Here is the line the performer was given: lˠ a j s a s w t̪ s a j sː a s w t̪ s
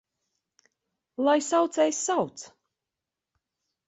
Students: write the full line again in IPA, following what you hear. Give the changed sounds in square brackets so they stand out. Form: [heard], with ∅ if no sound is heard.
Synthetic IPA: lˠ a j s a [∅] w t̪ s [ɛ] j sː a [∅] w t̪ s